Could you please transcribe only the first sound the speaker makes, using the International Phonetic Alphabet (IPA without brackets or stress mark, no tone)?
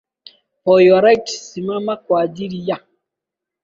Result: p